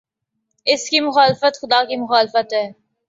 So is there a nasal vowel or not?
no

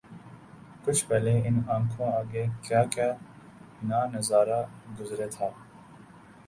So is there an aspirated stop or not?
yes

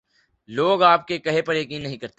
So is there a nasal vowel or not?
yes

